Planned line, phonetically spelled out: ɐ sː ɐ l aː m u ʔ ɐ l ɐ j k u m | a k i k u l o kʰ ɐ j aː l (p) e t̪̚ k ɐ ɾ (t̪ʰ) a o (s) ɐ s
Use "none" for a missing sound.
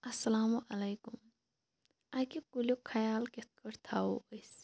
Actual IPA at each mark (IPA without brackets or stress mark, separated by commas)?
k, t̪ʰ, none